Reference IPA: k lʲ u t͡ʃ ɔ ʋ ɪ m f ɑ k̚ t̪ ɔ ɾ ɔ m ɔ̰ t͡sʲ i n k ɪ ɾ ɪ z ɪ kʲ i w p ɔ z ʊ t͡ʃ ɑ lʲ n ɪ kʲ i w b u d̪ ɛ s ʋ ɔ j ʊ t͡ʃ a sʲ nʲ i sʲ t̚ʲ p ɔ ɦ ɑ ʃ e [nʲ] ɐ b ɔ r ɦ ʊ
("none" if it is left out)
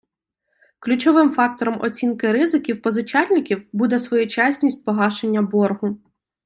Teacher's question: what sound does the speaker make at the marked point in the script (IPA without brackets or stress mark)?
nʲː